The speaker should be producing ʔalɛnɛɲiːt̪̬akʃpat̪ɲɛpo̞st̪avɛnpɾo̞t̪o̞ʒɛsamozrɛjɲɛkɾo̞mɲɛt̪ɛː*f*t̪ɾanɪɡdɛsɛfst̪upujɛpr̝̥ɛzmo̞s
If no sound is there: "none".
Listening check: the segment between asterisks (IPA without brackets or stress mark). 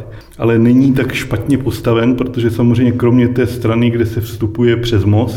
s